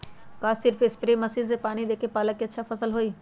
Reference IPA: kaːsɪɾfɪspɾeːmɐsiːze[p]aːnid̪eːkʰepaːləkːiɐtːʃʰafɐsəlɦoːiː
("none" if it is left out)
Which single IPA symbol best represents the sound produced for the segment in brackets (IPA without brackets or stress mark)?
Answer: p